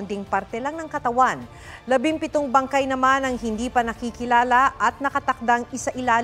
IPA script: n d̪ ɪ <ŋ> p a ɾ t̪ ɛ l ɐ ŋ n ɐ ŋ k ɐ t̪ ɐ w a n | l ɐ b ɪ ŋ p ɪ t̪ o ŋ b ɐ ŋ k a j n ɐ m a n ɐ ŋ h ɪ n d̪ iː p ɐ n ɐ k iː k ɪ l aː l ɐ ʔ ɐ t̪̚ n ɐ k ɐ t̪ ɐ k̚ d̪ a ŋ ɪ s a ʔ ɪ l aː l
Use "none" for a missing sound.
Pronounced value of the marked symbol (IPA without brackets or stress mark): ŋ